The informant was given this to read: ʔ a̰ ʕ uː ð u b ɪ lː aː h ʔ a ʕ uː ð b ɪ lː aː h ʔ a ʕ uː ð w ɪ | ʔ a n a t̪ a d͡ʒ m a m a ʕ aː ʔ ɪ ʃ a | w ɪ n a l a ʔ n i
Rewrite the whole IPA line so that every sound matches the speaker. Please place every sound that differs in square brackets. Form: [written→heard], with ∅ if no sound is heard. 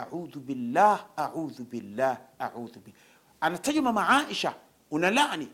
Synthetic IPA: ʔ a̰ ʕ uː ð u b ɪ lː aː h ʔ a ʕ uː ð b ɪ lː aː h ʔ a ʕ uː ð [w→b] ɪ | ʔ a n a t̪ a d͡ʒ m a m a ʕ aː ʔ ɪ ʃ a | w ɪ n a l a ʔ n i